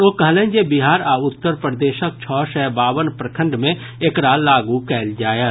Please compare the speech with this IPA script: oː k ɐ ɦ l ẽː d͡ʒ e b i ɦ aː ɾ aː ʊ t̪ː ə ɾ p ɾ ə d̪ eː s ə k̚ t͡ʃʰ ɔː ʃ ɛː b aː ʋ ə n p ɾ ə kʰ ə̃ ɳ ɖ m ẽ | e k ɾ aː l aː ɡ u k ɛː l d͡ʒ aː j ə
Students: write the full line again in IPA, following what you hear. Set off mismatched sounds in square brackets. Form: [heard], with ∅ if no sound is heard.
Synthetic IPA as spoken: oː k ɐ ɦ l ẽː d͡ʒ e b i ɦ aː ɾ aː ʊ t̪ː ə ɾ p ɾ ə d̪ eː [ʃ] ə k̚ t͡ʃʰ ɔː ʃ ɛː b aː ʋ ə n p ɾ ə kʰ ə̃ ɳ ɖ m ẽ | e k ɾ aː l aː ɡ u k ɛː l d͡ʒ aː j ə